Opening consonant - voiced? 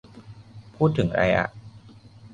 no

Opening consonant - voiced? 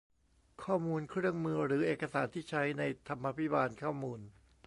no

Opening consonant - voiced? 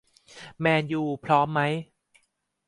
yes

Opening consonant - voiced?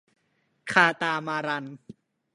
no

